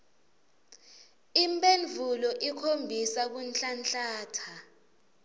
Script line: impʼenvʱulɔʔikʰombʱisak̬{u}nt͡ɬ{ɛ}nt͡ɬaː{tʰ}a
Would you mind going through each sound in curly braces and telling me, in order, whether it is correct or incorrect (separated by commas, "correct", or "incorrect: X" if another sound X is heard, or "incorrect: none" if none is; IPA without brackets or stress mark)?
correct, incorrect: a, correct